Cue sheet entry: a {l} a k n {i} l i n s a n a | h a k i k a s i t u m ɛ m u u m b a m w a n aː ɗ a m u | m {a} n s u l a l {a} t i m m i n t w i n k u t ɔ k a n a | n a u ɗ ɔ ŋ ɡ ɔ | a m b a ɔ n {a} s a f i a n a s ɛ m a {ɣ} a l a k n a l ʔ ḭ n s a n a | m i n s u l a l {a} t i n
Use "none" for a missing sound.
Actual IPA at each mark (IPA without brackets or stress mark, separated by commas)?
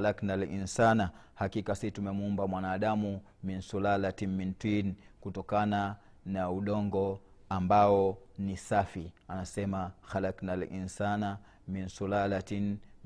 l, a, i, a, i, x, a